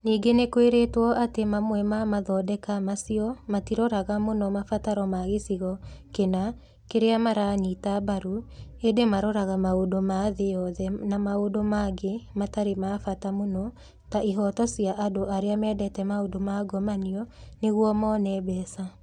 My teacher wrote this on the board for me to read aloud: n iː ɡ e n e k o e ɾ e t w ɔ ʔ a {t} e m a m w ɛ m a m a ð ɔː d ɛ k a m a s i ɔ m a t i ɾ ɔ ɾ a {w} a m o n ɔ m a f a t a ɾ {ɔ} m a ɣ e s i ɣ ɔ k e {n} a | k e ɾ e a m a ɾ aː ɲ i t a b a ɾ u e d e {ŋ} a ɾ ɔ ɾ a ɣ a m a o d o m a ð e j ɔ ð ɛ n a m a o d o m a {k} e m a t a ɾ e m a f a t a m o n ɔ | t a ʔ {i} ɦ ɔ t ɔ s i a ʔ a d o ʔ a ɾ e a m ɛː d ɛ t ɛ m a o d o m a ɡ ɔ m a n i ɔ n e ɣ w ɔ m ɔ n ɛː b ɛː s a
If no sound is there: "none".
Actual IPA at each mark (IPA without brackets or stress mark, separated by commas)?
t, ɣ, ɔ, n, m, ɡ, i